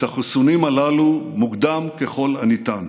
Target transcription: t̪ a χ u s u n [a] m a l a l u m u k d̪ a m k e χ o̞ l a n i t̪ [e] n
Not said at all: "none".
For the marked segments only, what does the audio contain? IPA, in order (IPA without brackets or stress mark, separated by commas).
i, a